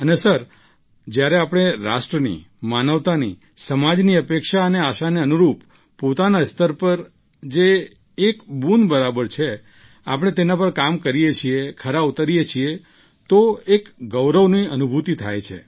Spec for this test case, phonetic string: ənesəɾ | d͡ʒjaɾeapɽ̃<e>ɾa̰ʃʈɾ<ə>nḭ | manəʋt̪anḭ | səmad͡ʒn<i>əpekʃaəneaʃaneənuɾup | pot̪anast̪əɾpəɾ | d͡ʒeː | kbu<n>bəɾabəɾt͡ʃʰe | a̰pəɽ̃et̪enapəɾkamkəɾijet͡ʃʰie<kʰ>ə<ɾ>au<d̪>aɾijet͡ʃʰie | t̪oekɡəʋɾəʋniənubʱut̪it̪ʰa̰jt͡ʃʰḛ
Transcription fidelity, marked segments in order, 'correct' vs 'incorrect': correct, correct, correct, correct, correct, correct, incorrect

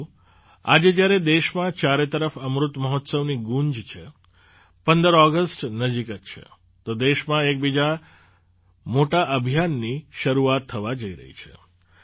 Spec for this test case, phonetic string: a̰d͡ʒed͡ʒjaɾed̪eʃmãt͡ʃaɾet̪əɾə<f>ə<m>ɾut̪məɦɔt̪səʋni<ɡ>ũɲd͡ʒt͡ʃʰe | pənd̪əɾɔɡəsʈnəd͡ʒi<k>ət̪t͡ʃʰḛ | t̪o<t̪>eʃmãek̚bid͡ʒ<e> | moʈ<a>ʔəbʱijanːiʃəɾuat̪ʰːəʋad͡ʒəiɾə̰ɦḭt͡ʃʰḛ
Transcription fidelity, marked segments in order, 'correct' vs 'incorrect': correct, correct, correct, correct, incorrect, incorrect, correct

